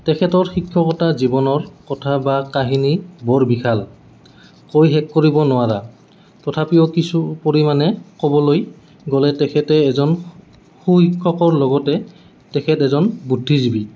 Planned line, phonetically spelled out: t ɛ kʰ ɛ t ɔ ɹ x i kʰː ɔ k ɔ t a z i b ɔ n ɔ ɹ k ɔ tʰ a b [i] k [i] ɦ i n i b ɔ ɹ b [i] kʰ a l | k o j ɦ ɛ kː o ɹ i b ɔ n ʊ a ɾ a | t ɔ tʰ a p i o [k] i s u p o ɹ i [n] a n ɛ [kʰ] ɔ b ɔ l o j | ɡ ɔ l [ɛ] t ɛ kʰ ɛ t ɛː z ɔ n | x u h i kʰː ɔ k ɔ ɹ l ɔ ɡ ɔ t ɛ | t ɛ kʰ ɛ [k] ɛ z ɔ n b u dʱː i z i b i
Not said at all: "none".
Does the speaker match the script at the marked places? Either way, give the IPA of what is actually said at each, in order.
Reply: a, a, i, k, m, k, ɛ, t

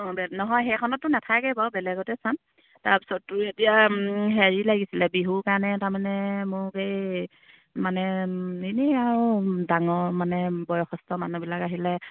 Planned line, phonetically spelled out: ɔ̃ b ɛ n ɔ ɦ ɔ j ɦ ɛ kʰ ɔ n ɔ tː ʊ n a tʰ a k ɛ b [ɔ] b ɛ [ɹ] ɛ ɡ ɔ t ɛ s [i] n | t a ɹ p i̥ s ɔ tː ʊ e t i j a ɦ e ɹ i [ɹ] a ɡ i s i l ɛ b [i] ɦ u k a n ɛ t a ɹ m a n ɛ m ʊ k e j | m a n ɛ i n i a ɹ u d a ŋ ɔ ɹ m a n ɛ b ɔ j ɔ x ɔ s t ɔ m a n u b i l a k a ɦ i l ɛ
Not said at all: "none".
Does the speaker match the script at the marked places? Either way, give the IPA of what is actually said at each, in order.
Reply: ɔ, l, a, l, i

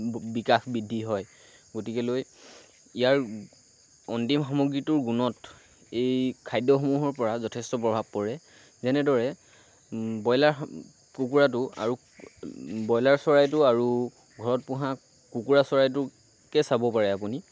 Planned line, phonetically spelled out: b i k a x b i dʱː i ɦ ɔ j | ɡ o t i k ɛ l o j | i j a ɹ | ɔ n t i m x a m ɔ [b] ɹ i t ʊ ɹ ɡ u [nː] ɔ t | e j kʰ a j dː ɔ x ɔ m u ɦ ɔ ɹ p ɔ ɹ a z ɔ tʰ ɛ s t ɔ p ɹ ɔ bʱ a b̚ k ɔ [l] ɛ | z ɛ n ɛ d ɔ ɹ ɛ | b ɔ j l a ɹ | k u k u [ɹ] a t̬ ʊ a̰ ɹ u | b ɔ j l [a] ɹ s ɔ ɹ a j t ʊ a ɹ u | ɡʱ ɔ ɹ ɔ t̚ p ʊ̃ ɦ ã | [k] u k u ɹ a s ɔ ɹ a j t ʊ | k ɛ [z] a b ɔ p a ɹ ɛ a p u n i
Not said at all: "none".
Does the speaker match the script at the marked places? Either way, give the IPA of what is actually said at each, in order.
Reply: ɡ, n, ɹ, ɹ, a, k, s

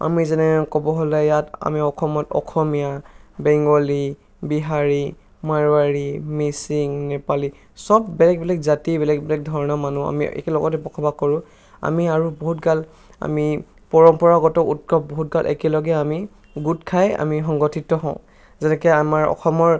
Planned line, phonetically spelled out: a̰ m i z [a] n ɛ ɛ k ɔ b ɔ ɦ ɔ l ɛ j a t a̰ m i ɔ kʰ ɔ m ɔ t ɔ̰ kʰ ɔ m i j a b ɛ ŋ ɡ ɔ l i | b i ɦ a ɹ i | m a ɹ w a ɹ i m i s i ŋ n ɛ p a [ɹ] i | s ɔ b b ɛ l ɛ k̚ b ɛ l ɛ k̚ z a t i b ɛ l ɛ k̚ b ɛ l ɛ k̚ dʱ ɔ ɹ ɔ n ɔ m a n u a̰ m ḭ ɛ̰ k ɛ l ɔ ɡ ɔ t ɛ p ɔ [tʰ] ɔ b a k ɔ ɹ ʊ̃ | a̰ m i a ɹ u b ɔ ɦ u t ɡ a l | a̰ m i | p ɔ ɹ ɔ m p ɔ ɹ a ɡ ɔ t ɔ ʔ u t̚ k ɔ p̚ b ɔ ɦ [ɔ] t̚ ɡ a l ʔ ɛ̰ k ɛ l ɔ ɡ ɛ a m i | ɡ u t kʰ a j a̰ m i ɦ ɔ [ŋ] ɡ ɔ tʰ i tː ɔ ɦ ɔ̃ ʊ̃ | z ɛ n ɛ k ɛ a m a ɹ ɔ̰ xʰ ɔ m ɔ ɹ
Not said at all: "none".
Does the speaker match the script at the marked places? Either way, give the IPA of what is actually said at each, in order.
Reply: ɛ, l, kʰ, u, ŋ

